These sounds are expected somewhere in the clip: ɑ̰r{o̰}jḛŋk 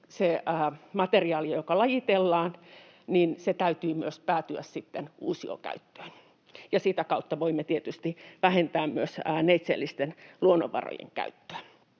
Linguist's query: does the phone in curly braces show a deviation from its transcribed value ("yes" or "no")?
no